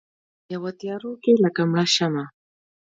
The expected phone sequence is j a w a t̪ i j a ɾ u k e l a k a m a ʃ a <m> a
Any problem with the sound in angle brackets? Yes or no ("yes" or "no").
no